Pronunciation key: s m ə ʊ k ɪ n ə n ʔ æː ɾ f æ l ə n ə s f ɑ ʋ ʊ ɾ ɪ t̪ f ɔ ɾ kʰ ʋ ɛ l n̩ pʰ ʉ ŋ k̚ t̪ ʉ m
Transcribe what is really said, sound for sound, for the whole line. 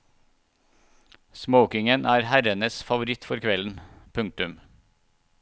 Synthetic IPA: s m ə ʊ k ɪ ŋ ə n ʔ æː ɾ h æ ɾ ə n ə s f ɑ ʋ ʊ ɾ ɪ t̪ f ɔ ɾ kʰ ʋ ɛ l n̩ pʰ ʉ ŋ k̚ t̪ ʉ m